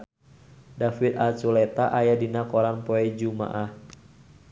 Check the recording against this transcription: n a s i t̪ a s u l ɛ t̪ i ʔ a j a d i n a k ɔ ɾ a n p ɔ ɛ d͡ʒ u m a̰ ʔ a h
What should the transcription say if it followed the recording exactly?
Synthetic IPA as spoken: d a f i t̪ a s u l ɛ t̪ a ʔ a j a d i n a k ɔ ɾ a n p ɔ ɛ d͡ʒ u m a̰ ʔ a h